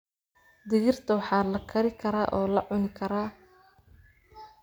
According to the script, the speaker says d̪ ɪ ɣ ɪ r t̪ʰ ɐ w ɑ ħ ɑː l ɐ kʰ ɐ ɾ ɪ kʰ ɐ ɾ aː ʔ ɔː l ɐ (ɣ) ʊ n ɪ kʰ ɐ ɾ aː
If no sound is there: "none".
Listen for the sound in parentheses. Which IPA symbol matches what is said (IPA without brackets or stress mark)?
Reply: ʕ